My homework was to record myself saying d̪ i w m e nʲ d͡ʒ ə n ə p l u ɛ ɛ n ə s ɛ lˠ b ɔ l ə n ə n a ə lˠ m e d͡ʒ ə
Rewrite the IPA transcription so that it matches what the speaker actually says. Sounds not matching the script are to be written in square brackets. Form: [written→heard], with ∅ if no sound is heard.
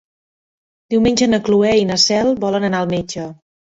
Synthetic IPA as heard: d̪ i w m e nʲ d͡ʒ ə n ə [p→k] l u ɛ [ɛ→i] n ə s ɛ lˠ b ɔ l ə n ə n a ə lˠ m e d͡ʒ ə